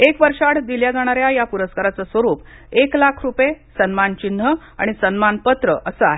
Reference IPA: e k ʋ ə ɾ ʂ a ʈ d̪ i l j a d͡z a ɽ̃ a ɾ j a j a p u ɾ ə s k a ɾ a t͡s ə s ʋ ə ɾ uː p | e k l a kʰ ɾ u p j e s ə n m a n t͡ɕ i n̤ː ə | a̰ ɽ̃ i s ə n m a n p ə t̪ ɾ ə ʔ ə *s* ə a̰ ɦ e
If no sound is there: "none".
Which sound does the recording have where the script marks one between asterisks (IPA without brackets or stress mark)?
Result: s